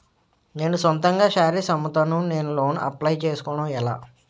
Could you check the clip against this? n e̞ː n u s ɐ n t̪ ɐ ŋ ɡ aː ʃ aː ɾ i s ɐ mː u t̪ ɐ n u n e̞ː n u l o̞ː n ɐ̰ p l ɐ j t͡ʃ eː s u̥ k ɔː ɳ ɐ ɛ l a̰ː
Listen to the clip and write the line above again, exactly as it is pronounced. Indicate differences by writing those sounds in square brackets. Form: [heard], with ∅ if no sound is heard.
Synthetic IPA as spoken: n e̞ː n u s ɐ n t̪ ɐ ŋ ɡ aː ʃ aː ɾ i s ɐ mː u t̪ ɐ n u n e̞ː n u l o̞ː n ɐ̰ p l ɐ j t͡ʃ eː s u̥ k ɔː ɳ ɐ ɛ l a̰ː